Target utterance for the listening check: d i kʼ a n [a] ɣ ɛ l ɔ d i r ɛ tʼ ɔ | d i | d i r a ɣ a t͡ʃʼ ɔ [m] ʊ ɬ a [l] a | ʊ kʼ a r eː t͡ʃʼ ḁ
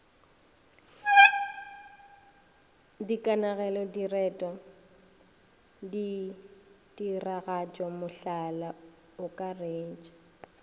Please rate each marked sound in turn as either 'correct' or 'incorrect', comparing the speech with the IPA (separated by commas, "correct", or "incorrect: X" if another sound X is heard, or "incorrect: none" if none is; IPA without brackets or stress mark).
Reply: correct, correct, correct